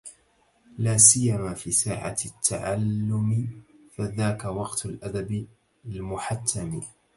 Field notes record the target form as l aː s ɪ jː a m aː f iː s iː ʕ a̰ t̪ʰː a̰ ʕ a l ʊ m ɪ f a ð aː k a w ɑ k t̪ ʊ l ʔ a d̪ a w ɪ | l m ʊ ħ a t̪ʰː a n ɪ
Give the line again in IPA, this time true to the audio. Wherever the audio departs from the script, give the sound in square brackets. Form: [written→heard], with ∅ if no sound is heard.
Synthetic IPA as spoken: l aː s ɪ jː a m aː f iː s [iː→aː] ʕ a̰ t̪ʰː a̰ ʕ a [l→lː] ʊ m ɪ f a ð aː k a w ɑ [k→q] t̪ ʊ l ʔ a d̪ a [w→b] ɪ | l m ʊ ħ a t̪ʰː a [n→m] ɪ